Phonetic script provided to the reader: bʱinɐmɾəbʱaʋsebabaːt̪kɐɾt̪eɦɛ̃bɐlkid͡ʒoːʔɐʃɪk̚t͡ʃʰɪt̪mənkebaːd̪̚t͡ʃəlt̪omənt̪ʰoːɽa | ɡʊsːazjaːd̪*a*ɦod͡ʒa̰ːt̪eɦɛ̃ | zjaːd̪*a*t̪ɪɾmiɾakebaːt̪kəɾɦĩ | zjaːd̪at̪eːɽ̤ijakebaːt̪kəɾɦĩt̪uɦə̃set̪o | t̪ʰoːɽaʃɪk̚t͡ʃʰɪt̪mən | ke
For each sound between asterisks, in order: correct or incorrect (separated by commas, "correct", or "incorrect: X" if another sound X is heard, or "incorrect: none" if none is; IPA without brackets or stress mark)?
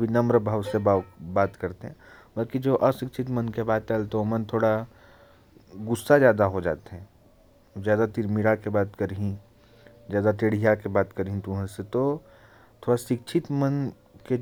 correct, correct